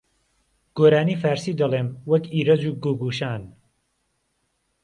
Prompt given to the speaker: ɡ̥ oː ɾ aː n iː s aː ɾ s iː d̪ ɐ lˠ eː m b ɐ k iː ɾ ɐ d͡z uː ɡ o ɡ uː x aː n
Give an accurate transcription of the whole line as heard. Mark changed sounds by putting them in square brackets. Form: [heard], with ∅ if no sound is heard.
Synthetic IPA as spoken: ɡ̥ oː ɾ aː n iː [f] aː ɾ s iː d̪ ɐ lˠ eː m [w] ɐ k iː ɾ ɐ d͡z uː ɡ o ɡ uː [ʃ] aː n